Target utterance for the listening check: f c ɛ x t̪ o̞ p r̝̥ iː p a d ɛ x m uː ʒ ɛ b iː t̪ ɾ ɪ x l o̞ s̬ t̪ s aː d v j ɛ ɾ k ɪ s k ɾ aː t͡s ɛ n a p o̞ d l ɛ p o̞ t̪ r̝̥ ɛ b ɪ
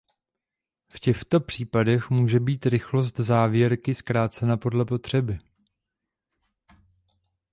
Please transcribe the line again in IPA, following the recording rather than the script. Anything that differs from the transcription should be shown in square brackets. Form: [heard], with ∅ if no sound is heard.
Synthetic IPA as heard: f c ɛ x t̪ o̞ p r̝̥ iː p a d ɛ x m uː ʒ ɛ b iː t̪ ɾ ɪ x l o̞ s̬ t̪ [z] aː [∅] v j ɛ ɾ k ɪ s k ɾ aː t͡s ɛ n a p o̞ d l ɛ p o̞ t̪ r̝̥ ɛ b ɪ